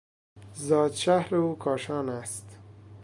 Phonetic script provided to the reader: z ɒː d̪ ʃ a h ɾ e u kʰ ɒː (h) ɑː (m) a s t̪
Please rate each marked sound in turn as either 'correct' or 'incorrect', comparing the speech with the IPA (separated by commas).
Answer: incorrect, incorrect